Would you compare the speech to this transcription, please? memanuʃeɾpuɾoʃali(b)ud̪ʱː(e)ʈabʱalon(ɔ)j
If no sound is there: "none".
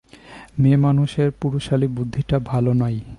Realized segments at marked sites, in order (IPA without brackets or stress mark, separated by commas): b, i, ɔ